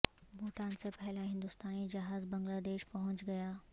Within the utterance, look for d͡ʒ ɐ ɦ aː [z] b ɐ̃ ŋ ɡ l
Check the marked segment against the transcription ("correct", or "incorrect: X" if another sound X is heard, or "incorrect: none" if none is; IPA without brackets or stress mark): correct